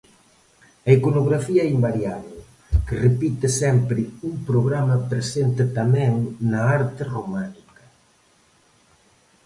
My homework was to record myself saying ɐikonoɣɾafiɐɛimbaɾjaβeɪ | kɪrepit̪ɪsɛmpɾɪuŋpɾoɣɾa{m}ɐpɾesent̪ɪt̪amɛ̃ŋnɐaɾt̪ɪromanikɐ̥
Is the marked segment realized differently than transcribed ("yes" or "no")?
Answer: no